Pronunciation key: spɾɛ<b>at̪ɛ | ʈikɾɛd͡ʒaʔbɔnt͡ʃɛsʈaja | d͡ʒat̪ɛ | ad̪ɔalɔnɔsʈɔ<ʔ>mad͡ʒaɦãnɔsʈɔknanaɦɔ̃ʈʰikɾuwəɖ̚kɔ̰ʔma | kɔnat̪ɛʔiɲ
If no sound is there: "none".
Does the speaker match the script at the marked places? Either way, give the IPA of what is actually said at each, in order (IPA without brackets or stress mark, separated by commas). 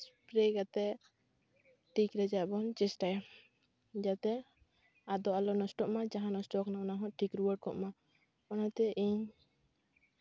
ɡ, ʔ